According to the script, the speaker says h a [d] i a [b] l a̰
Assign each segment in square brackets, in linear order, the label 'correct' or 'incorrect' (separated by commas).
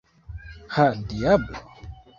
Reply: correct, correct